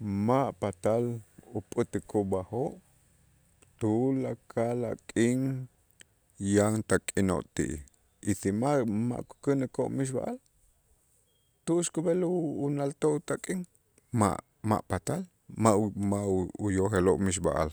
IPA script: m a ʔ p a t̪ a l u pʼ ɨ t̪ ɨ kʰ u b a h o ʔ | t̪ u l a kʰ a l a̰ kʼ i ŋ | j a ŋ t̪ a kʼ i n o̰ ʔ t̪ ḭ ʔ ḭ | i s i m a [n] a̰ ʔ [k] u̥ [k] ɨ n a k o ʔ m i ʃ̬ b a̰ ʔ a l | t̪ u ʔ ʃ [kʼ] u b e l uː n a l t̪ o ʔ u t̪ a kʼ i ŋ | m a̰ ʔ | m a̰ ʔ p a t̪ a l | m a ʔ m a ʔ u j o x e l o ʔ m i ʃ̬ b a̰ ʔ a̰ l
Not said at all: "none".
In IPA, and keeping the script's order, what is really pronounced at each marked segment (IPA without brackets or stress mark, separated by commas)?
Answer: m, k, k, k